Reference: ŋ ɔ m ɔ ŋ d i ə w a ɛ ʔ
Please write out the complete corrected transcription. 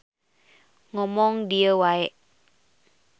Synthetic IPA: ŋ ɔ m ɔ ŋ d i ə w a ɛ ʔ